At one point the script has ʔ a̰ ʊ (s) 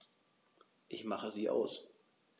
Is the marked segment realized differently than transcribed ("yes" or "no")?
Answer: no